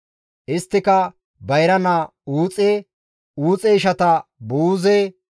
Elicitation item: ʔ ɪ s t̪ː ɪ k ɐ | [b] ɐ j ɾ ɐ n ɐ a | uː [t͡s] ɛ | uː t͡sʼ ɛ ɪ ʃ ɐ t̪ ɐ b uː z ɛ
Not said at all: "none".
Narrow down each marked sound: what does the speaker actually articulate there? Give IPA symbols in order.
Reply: b, t͡sʼ

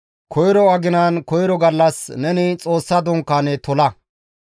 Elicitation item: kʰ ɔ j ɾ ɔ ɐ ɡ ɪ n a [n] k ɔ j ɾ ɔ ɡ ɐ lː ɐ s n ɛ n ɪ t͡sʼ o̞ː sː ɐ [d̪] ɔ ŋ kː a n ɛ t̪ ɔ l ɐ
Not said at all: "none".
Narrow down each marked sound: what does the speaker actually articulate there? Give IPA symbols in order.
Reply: n, d̪

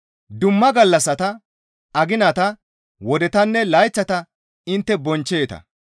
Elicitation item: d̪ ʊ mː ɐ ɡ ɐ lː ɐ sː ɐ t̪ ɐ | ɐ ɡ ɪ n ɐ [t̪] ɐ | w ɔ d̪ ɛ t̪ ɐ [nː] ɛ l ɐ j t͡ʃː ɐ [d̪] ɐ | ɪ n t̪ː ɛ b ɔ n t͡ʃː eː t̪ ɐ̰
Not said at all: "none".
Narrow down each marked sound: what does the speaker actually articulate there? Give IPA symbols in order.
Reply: t̪, nː, t̪

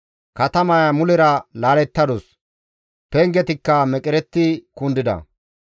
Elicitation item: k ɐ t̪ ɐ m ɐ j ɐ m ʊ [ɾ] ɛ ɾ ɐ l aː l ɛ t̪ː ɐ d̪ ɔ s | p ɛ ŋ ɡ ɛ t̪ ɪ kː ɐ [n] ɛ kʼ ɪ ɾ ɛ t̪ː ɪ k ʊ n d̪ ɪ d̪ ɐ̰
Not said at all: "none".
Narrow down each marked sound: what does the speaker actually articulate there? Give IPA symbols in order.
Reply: l, m

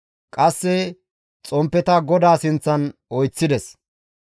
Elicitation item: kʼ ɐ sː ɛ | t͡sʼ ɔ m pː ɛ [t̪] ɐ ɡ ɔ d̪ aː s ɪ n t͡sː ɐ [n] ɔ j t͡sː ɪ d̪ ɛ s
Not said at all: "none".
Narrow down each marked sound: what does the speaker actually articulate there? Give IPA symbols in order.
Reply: t̪, n

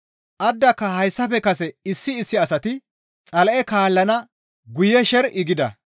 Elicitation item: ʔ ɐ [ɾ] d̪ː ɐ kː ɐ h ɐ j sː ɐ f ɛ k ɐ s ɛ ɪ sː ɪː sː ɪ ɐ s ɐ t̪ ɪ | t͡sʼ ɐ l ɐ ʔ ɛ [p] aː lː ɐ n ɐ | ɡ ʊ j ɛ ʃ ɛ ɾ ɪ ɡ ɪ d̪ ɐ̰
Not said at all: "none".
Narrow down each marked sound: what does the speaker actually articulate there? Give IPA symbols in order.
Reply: none, k

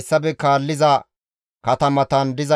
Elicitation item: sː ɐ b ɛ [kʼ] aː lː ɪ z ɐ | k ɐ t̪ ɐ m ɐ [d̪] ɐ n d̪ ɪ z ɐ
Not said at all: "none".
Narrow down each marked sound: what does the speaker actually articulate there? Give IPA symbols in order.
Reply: k, t̪

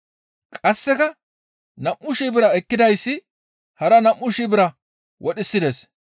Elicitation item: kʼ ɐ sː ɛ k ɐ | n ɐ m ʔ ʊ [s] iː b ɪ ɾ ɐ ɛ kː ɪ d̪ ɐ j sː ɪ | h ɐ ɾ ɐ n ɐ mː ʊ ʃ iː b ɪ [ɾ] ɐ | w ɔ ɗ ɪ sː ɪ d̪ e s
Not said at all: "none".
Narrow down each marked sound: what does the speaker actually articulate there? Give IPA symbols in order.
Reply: ʃ, ɾ

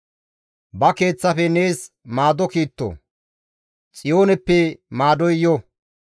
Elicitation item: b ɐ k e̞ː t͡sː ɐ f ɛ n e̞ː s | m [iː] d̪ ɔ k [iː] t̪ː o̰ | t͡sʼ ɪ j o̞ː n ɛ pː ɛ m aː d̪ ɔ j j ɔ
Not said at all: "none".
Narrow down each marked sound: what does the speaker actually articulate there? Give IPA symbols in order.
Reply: aː, iː

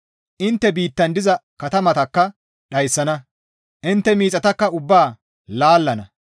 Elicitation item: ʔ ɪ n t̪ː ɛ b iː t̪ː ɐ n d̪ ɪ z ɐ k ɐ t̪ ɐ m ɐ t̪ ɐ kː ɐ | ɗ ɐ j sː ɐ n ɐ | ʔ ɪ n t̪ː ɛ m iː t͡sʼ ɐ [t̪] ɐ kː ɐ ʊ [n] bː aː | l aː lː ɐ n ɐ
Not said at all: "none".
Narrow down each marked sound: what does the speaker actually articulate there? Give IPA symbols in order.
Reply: t̪, none

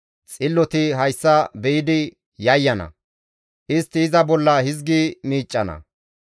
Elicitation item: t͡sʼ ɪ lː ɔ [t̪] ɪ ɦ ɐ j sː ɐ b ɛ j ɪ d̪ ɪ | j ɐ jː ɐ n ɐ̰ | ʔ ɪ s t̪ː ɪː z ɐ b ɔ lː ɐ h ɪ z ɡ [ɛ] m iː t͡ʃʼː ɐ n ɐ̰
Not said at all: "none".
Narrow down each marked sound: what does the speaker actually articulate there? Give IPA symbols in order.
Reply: t̪, i

